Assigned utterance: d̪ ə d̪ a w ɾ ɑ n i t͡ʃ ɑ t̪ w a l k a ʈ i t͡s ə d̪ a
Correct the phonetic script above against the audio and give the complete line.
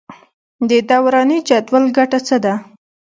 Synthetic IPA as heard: d̪ ə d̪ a w ɾ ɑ n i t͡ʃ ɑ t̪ w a l ɡ a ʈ a t͡s ə d̪ a